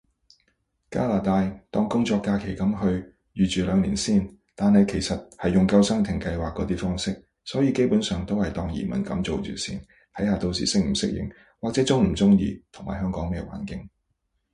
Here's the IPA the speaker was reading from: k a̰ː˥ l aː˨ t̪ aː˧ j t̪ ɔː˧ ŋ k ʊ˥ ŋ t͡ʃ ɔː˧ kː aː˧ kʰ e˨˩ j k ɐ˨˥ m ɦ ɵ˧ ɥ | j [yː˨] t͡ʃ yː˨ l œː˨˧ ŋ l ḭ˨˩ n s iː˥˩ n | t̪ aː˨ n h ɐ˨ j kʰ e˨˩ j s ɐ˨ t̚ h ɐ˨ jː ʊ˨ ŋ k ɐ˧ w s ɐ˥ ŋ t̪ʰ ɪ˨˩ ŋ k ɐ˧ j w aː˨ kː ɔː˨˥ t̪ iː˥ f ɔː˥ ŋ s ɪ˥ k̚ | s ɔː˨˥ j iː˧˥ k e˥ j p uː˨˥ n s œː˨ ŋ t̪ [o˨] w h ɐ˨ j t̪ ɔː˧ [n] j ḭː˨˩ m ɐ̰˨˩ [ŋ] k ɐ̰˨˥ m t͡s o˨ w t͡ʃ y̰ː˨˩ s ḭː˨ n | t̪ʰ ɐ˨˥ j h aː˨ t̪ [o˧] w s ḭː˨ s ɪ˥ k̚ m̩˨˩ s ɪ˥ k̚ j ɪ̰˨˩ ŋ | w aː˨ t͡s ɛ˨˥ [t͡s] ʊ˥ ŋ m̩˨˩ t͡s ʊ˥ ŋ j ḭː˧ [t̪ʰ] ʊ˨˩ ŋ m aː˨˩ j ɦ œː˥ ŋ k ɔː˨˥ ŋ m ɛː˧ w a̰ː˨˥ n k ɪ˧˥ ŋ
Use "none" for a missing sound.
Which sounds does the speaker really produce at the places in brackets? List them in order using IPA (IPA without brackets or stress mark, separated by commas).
yː˨, o˥, ŋ, n, o˧, t͡s, t̪ʰ